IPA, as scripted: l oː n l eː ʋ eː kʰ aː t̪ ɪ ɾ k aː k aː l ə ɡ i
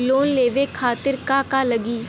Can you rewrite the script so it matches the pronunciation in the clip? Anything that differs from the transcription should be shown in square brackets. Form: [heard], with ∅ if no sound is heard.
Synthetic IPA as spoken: l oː n l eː ʋ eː kʰ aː t̪ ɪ ɾ k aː k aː l ə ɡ [iː]